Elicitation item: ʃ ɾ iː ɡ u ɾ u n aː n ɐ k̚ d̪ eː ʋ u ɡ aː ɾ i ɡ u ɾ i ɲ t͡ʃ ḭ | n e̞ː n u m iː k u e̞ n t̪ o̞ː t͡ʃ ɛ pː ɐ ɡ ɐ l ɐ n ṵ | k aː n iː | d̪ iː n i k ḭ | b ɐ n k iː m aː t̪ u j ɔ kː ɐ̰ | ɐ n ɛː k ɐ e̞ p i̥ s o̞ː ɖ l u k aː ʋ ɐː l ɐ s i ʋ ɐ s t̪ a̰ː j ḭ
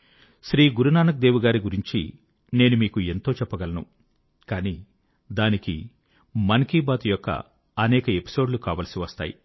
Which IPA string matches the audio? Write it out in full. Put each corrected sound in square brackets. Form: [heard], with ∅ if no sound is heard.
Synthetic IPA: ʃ ɾ iː ɡ u ɾ u n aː n ɐ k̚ d̪ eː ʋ u ɡ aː ɾ i ɡ u ɾ i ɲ t͡ʃ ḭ | n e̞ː n u m iː k u e̞ n t̪ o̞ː t͡ʃ ɛ pː ɐ ɡ ɐ l ɐ n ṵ | k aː n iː | d̪ [aː] n i k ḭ | [m] ɐ n k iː [b] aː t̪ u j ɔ kː ɐ̰ | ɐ n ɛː k ɐ e̞ p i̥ s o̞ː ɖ l u k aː ʋ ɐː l ɐ s i ʋ ɐ s t̪ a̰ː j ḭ